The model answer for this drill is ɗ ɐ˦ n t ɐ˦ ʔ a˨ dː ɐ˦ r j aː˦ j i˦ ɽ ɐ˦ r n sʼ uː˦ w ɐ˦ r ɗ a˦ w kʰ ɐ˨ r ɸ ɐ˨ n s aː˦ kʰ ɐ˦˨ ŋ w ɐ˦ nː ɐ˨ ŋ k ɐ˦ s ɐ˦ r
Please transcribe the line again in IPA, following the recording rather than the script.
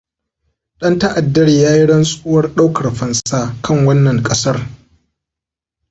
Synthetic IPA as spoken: ɗ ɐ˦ n t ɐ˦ ʔ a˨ dː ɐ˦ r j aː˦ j i˦ ɽ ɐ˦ n sʼ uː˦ w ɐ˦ r ɗ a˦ w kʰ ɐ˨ r ɸ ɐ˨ n s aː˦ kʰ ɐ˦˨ ŋ w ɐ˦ nː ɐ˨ ŋ kʼ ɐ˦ s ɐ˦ r